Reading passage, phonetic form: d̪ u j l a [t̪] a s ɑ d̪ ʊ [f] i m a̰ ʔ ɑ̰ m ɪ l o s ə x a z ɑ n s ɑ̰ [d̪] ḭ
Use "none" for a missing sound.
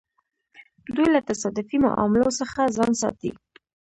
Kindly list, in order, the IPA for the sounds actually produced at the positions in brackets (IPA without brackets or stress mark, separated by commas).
t̪, f, t̪